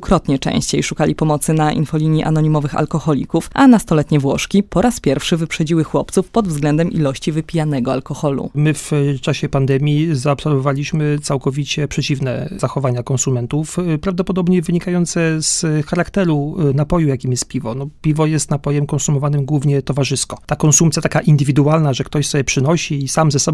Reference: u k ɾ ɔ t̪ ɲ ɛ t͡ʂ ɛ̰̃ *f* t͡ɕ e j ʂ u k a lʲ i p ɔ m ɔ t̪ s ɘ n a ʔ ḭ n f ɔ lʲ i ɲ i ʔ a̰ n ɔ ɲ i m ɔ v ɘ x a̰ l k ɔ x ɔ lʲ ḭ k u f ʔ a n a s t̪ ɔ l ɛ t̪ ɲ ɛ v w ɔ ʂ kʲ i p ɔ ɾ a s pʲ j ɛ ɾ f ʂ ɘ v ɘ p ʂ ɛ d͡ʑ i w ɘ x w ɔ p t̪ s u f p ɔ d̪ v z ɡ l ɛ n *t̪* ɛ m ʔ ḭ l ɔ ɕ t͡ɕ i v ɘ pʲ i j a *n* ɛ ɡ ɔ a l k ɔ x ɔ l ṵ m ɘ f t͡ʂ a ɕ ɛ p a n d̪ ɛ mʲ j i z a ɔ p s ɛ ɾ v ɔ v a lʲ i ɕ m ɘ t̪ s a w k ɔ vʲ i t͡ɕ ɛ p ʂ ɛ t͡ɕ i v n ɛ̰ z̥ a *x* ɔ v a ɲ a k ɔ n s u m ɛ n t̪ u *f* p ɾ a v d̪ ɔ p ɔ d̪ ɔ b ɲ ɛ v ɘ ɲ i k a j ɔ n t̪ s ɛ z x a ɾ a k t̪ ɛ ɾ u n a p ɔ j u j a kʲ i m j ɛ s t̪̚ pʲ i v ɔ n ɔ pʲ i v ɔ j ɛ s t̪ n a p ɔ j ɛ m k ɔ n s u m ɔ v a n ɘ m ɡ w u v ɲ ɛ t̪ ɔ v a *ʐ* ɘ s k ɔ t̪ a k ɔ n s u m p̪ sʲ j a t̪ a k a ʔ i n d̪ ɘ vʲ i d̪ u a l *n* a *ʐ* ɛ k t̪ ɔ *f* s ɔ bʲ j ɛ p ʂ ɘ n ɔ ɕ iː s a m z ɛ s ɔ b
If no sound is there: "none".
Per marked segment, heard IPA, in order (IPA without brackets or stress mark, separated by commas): ɕ, d̪, n, x, f, ʐ, n, ʐ, ɕ